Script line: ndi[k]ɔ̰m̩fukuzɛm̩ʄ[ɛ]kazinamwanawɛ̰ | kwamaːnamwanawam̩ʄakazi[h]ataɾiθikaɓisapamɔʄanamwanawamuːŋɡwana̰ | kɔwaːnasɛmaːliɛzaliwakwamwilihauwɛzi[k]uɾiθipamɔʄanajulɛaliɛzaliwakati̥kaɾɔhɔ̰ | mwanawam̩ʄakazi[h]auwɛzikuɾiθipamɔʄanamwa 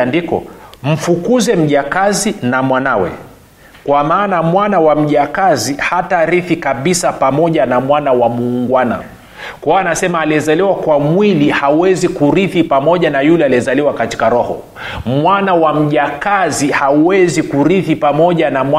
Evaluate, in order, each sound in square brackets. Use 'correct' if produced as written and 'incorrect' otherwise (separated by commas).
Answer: correct, incorrect, correct, correct, correct